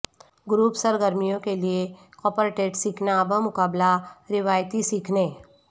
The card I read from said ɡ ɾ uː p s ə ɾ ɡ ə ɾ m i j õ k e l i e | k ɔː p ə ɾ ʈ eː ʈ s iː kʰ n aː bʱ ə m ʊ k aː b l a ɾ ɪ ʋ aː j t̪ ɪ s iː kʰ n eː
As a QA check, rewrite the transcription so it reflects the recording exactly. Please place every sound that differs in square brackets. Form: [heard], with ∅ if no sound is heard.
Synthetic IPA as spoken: ɡ ɾ uː p s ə ɾ ɡ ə ɾ m i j õ k e l i e | k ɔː p ə ɾ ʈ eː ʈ s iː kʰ n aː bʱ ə m ʊ k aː b l a ɾ ɪ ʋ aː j t̪ [i] s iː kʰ n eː